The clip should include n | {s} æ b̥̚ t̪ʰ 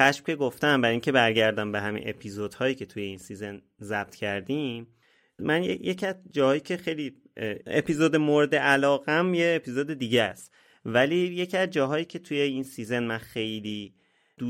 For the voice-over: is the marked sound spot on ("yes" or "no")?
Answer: no